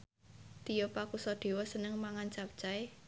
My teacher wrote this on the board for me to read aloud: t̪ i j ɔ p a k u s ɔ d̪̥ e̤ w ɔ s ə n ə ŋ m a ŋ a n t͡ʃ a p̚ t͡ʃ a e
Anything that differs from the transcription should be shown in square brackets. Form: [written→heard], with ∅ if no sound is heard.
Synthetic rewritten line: t̪ i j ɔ p a k u s ɔ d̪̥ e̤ w ɔ s ə n ə ŋ m a ŋ a n t͡ʃ a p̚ t͡ʃ a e